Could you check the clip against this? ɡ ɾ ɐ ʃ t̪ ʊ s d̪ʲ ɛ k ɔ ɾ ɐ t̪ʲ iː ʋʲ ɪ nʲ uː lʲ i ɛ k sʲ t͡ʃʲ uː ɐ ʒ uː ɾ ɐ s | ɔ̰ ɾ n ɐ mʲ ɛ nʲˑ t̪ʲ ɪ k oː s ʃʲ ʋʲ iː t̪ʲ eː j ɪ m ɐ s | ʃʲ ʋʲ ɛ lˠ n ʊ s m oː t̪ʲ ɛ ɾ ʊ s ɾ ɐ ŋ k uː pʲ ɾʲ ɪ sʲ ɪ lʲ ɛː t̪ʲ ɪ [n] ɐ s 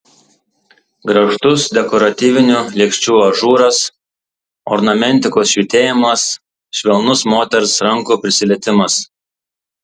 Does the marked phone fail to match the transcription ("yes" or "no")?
yes